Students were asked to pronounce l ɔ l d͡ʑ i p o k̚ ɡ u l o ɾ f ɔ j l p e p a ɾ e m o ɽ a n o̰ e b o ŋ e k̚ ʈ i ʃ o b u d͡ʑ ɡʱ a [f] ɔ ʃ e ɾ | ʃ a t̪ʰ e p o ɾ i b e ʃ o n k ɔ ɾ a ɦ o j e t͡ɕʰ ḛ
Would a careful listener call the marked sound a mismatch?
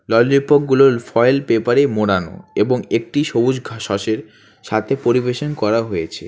yes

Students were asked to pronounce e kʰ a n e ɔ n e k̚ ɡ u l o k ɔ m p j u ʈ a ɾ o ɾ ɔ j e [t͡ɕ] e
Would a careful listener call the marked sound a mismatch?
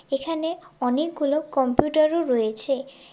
yes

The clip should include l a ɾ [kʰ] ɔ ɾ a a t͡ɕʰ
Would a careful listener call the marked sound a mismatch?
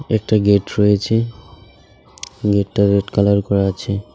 yes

